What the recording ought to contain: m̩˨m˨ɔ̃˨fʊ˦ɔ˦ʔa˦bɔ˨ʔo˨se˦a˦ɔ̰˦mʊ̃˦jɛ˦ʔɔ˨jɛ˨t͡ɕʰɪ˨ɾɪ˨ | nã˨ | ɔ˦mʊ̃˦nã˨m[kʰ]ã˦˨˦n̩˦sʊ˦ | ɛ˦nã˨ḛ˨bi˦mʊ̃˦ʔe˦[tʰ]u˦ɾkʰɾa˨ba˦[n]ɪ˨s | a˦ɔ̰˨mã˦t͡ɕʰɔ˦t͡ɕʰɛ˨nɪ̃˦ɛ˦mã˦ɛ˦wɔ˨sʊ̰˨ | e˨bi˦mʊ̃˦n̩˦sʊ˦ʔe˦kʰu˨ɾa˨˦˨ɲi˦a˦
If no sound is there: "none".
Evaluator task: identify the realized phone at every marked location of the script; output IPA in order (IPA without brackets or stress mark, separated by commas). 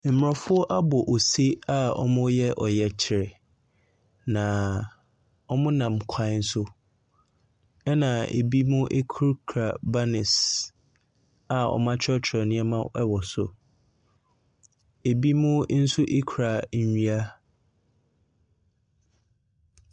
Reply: kʰ, kʰ, n